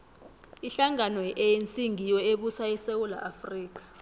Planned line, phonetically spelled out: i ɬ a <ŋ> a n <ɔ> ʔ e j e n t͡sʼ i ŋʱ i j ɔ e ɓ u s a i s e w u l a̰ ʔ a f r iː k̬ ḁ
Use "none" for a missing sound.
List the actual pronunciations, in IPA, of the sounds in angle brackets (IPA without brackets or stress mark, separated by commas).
ŋ, ɔ